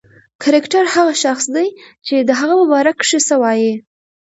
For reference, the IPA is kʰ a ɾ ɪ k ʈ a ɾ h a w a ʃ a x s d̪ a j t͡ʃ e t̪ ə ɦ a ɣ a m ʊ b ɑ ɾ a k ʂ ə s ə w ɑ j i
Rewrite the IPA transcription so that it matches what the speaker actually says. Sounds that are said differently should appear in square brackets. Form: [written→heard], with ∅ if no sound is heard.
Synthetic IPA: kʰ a ɾ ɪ k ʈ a ɾ h a [w→ɣ] a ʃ a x s d̪ a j t͡ʃ e [t̪→d̪] ə ɦ a ɣ a m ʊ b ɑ ɾ a k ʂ ə s ə w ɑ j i